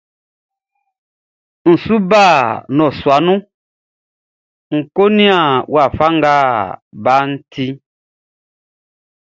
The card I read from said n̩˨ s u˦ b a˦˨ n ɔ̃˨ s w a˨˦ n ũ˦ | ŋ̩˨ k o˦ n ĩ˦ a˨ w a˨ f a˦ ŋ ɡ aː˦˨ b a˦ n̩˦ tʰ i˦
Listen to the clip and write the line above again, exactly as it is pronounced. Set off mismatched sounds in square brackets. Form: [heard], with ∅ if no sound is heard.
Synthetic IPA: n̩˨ s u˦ b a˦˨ n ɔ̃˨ s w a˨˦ n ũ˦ | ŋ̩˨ k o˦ n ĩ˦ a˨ w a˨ f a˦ ŋ ɡ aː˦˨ b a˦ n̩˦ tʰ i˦